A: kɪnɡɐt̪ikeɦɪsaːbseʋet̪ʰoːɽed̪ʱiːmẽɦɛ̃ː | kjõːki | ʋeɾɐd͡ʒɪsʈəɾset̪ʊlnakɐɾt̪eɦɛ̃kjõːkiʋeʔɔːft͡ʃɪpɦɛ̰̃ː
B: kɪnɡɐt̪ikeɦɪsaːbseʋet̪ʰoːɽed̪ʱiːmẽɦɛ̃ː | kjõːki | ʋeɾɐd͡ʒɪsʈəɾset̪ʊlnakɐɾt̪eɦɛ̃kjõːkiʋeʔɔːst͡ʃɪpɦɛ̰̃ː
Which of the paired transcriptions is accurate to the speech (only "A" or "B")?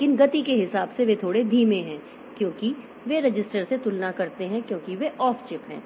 A